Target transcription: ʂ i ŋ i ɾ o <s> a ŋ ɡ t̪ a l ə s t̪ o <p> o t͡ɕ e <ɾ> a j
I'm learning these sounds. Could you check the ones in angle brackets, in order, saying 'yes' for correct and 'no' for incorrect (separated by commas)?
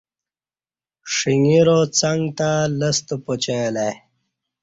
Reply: no, yes, no